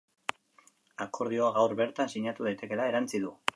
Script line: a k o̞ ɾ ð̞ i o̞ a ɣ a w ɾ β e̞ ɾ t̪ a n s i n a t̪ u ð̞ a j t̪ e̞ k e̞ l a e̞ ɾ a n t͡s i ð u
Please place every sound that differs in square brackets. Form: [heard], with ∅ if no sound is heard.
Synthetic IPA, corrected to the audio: a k o̞ ɾ ð̞ i o̞ a ɣ a w ɾ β e̞ ɾ t̪ a n s i [ɲ] a t̪ u ð̞ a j t̪ e̞ k e̞ l a e̞ ɾ a n t͡s i ð u